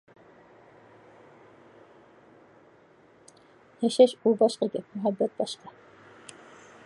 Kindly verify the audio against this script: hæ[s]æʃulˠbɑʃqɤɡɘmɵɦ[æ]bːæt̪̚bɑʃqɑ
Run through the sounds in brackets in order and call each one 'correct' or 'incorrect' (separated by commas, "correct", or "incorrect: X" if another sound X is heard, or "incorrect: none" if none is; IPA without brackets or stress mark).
incorrect: ʃ, correct